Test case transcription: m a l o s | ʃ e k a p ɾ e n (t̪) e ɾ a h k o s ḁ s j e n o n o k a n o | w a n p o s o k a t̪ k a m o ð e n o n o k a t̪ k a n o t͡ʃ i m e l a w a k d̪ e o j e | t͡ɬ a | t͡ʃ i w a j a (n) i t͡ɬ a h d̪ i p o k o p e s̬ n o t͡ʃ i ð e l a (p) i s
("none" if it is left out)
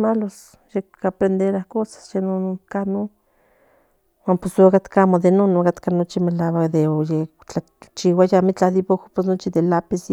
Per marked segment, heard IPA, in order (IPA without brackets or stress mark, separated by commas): d̪, m, p